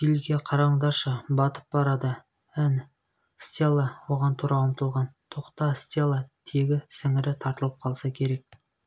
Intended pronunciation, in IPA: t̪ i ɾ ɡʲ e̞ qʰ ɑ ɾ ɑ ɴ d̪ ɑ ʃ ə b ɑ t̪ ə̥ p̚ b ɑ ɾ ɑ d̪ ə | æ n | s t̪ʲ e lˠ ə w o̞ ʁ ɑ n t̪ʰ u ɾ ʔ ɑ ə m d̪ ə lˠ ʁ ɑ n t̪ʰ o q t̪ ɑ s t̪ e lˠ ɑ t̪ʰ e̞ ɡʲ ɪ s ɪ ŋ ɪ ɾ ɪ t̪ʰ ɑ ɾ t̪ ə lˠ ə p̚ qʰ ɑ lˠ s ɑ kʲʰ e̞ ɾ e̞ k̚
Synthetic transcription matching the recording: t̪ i l ɡʲ e̞ qʰ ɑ ɾ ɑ ɴ d̪ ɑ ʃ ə b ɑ t̪ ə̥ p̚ b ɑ ɾ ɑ d̪ ə | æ n | s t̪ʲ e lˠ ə w o̞ ʁ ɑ n t̪ʰ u ɾ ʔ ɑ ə m t̪ ə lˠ ʁ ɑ n t̪ʰ o q t̪ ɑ s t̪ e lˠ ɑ t̪ʰ e̞ ɡʲ ɪ s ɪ ŋ ɪ ɾ ɪ t̪ʰ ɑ ɾ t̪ ə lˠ ə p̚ qʰ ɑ lˠ s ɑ kʲʰ e̞ ɾ e̞ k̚